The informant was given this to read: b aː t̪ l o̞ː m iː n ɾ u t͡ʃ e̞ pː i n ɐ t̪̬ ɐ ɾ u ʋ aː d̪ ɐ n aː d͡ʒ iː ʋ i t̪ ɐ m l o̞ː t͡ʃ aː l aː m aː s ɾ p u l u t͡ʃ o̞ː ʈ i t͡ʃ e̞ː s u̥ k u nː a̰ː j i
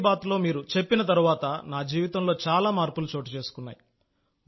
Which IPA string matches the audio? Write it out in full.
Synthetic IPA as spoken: b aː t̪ l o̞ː m iː ɾ u t͡ʃ e̞ pː i n ɐ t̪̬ ɐ ɾ u ʋ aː t̪ ɐ n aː d͡ʒ iː ʋ i t̪ ɐ m l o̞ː t͡ʃ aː l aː m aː ɾ p u l u t͡ʃ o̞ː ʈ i t͡ʃ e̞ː s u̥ k u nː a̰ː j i